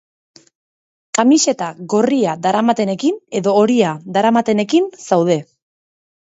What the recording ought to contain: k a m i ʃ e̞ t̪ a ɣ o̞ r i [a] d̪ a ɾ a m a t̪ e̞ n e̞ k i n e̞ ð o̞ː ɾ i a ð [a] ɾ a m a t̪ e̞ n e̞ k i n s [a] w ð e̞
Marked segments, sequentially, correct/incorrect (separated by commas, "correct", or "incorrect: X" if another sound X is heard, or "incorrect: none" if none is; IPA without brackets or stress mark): correct, correct, correct